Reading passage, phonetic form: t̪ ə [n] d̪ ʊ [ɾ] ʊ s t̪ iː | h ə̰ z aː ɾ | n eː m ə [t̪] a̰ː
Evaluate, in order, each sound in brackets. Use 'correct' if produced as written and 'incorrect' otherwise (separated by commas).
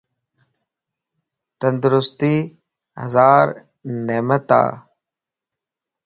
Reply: correct, correct, correct